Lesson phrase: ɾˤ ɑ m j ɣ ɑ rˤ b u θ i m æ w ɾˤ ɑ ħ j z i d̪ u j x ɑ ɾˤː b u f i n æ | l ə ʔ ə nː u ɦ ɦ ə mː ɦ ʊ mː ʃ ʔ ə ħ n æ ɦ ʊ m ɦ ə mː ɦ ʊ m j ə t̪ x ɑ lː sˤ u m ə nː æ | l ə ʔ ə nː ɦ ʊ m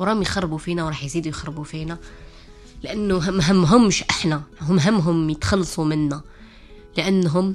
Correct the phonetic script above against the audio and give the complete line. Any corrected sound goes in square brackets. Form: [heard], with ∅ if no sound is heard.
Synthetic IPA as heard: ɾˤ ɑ m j [x] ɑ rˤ b u [f] i [n] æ w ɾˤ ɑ ħ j z i d̪ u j x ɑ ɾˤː b u f i n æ | l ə ʔ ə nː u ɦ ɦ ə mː ɦ ʊ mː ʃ ʔ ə ħ n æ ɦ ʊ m ɦ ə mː ɦ ʊ m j ə t̪ x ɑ lː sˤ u m ə nː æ | l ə ʔ ə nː ɦ ʊ m